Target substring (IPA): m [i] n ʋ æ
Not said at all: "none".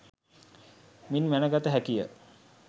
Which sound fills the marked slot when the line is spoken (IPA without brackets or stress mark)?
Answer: i